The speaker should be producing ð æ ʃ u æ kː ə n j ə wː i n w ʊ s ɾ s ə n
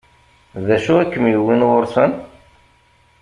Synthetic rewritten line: ð æ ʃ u æ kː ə m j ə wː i n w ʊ ɾ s ə n